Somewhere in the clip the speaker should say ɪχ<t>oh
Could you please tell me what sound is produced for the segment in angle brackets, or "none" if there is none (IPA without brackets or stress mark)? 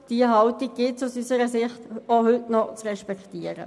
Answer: t